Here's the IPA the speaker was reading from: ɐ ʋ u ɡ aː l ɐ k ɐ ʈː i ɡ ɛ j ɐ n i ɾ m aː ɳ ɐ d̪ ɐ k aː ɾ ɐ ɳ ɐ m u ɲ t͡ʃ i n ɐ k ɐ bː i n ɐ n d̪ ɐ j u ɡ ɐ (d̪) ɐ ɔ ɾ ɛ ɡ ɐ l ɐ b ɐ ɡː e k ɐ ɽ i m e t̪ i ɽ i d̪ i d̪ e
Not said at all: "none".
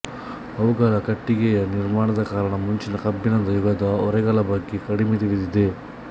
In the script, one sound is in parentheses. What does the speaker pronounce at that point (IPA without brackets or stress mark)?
d̪